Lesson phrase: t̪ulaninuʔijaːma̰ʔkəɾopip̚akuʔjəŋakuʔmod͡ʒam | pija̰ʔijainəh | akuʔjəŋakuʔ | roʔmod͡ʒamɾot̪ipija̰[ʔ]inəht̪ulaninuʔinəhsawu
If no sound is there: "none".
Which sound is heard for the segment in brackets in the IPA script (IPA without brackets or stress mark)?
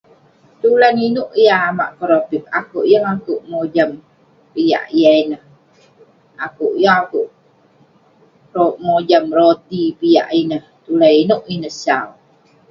ʔ